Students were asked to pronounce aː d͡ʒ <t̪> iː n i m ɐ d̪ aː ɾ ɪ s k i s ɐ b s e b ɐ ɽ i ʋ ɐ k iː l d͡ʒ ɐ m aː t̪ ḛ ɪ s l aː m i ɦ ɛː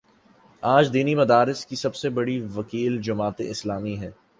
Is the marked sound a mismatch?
yes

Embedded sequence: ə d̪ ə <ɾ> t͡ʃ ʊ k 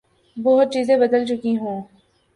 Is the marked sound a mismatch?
yes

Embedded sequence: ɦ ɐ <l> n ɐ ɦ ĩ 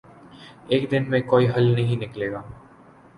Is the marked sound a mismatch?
no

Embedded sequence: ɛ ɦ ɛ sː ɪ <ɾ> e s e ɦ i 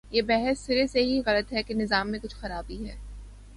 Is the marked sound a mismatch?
no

